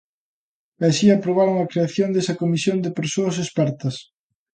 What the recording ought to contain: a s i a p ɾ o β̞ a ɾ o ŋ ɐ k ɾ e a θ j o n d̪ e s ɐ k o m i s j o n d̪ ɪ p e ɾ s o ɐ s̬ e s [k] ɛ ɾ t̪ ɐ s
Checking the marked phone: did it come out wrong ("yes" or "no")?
yes